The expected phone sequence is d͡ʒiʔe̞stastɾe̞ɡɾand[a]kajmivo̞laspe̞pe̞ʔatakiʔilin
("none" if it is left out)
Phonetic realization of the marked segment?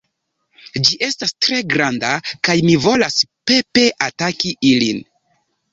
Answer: a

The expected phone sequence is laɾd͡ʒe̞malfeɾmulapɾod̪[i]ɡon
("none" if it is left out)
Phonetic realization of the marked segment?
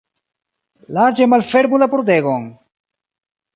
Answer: e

